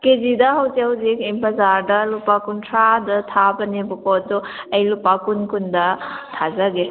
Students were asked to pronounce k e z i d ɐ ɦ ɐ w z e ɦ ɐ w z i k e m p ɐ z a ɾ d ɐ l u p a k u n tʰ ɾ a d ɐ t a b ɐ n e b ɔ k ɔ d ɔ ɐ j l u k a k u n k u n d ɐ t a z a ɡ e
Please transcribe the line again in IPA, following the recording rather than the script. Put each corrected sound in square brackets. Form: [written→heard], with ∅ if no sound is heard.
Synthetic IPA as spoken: k e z i d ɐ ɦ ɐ w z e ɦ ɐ w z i k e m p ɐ z a ɾ d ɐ l u p a k u n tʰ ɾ a d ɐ [t→tʰ] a b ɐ n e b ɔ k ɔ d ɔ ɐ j l u [k→p] a k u n k u n d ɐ [t→tʰ] a z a ɡ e